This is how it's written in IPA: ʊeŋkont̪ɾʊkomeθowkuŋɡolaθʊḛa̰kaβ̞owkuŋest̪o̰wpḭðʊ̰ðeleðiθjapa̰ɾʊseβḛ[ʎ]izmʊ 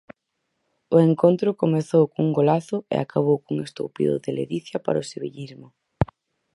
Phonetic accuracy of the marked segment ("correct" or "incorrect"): correct